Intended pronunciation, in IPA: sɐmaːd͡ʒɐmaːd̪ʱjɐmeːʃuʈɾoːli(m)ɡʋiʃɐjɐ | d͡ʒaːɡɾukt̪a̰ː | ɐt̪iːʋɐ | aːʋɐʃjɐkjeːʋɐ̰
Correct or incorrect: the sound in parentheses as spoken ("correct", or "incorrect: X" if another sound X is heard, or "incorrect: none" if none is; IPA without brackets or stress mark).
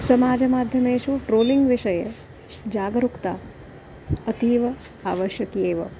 incorrect: ŋ